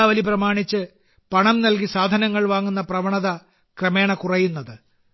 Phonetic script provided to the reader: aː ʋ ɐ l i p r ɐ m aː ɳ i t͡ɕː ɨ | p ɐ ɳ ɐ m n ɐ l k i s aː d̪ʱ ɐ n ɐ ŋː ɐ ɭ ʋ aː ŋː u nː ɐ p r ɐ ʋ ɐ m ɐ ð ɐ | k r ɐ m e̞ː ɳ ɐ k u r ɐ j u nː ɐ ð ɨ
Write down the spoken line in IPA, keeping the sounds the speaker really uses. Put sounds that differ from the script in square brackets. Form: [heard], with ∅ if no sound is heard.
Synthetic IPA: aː ʋ ɐ l i p r ɐ m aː ɳ i t͡ɕː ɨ | p ɐ ɳ ɐ m n ɐ l k i s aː d̪ʱ ɐ n ɐ ŋː ɐ ɭ ʋ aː ŋː u nː ɐ p r ɐ ʋ ɐ [ɳ] ɐ ð ɐ | k r ɐ m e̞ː ɳ ɐ k u r ɐ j u nː ɐ ð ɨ